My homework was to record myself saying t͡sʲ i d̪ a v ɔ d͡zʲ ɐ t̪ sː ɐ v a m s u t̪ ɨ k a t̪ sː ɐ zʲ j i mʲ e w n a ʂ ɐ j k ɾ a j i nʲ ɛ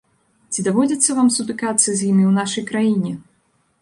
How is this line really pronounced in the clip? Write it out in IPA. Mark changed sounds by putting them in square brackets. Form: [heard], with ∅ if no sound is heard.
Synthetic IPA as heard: t͡sʲ i d̪ a v ɔ d͡zʲ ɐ t̪ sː ɐ v a m s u t̪ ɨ k a t̪ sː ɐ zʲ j i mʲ [i] w n a ʂ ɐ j k ɾ a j i nʲ ɛ